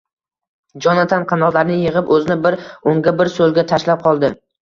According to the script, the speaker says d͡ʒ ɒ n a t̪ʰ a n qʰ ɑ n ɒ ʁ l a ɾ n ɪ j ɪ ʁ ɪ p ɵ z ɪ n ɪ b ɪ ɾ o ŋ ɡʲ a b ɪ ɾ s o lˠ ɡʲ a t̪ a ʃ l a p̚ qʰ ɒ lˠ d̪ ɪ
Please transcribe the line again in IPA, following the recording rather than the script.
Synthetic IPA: d͡ʒ ɒ n a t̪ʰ a n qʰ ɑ n ɒ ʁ l a ɾ n ɪ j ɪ ʁ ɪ p ɵ z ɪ n ɪ b ɪ ɾ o ŋ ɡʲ a b ɪ ɾ s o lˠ ɡʲ a t̪ʰ a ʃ l a p̚ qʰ ɒ lˠ d̪ ɪ